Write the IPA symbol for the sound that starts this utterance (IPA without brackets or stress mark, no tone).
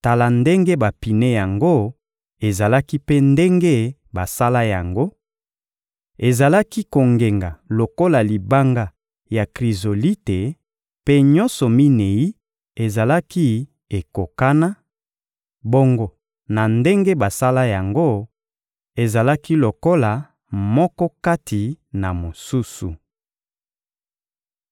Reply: t